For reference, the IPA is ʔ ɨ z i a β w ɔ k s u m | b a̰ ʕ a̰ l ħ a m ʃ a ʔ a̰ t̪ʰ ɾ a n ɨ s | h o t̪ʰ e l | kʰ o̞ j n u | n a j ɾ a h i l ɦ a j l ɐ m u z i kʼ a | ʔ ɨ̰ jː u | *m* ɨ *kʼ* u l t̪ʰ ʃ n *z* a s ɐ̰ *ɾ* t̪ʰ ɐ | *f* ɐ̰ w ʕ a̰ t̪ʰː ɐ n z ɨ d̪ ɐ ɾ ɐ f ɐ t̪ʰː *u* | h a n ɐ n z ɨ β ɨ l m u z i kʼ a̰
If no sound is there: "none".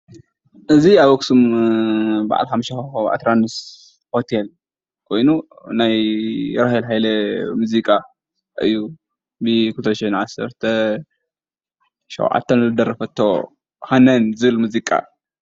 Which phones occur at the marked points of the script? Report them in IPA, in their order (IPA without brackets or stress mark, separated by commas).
b, k, ʕ, ɾ, ʃ, o